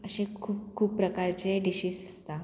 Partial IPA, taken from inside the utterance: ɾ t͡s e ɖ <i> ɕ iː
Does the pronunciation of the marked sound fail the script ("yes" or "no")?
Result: no